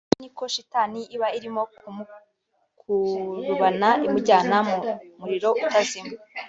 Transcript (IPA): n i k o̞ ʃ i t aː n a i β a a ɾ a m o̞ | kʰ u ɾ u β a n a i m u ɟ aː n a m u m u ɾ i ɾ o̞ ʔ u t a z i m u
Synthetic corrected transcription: n i k o̞ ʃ i t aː n i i β a i ɾ i m o̞ | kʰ u ɾ u β a n a i m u ɟ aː n a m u m u ɾ i ɾ o̞ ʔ u t a z i m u